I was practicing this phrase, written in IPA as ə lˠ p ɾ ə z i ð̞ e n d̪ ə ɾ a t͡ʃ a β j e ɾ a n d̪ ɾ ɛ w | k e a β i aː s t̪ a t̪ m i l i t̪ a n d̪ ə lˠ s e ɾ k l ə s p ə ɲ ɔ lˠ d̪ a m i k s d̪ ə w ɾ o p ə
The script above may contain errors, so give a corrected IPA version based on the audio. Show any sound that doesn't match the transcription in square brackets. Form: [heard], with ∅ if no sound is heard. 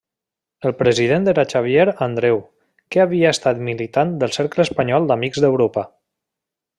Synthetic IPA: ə lˠ p ɾ ə z i ð̞ e n d̪ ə ɾ a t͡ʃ a β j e ɾ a n d̪ ɾ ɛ w | k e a β i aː s t̪ a t̪ m i l i t̪ a n d̪ ə lˠ s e ɾ k l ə s p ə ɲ ɔ lˠ d̪ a m i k [z] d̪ ə w ɾ o p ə